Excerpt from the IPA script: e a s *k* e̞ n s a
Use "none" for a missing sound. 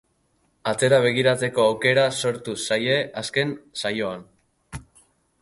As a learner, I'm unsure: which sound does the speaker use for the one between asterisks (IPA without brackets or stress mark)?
k